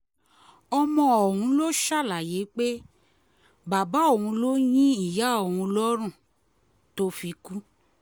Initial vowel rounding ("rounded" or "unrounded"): rounded